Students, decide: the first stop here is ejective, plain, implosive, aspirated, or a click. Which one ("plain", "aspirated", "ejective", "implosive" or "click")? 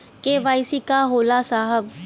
plain